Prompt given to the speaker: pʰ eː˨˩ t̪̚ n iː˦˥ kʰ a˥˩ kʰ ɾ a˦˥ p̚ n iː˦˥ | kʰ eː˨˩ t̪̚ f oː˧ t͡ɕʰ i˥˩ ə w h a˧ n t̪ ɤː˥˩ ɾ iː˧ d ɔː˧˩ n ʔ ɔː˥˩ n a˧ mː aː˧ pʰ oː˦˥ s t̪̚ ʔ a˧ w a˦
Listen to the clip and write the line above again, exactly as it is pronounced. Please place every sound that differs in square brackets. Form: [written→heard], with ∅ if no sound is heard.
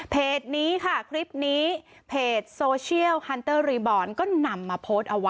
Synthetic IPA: pʰ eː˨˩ t̪̚ n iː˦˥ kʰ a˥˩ kʰ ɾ [a˦˥→i˦˥] p̚ n iː˦˥ | [kʰ→pʰ] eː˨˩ t̪̚ [f→s] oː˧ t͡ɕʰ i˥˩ ə w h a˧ n t̪ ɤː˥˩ ɾ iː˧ [d→b] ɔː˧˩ n [ʔ→k] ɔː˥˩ n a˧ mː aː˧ pʰ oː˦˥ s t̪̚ ʔ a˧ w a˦